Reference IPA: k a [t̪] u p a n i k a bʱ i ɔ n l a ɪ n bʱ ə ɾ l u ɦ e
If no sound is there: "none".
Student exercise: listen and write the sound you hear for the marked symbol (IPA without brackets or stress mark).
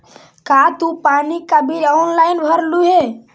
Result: t̪